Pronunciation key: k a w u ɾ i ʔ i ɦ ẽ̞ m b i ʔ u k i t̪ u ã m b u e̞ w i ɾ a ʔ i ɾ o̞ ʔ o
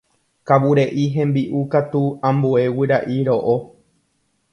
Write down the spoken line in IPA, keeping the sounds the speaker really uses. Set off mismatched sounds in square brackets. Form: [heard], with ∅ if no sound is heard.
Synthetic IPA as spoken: k a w u ɾ [e] ʔ i ɦ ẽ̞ m b i ʔ u k [a] t̪ u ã m b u e̞ w i ɾ a ʔ i ɾ o̞ ʔ o